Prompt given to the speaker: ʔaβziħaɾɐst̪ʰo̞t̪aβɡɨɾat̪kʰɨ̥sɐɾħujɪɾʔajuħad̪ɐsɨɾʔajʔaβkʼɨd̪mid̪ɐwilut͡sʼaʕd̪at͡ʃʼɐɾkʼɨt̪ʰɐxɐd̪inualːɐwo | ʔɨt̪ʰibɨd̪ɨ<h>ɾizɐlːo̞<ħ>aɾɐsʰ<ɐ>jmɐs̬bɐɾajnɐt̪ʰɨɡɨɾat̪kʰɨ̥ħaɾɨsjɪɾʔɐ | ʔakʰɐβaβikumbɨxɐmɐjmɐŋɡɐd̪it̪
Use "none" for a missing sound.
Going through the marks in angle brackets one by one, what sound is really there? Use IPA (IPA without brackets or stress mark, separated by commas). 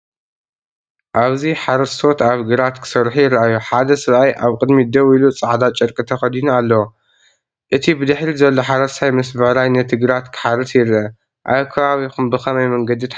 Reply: ħ, ħ, a